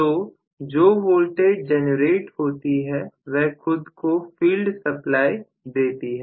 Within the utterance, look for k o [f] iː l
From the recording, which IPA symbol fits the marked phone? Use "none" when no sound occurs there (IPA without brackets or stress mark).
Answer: f